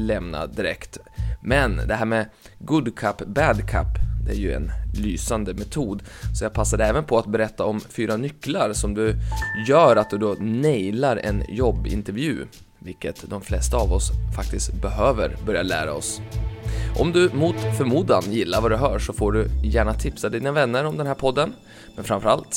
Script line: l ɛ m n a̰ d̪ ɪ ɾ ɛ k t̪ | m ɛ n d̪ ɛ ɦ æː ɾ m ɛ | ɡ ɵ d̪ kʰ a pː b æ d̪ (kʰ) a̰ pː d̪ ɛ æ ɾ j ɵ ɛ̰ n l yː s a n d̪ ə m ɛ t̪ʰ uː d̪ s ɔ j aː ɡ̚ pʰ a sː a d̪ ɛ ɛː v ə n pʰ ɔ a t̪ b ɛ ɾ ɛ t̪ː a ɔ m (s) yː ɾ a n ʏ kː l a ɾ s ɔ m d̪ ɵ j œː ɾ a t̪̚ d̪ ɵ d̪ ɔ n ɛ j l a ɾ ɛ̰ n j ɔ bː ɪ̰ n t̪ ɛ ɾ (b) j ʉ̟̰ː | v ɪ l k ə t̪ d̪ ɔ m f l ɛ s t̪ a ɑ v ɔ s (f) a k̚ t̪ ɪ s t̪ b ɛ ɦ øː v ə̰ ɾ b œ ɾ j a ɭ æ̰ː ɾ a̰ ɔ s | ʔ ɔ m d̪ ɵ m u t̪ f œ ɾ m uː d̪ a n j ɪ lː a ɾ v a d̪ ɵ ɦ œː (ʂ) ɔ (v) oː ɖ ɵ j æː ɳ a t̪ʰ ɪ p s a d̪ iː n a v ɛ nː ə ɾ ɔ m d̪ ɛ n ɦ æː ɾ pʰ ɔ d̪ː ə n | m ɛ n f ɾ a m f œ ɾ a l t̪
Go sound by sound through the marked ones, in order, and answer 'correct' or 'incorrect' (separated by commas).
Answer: correct, incorrect, incorrect, correct, correct, incorrect